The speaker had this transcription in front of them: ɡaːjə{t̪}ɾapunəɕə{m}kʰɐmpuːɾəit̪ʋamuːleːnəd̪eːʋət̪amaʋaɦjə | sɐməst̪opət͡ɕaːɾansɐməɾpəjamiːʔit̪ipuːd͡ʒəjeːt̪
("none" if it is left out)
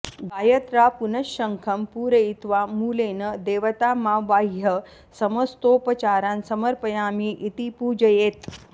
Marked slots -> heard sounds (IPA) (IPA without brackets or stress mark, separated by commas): t̪, ŋ